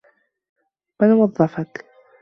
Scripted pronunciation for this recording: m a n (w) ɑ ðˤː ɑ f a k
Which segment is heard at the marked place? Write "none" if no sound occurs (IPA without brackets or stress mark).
w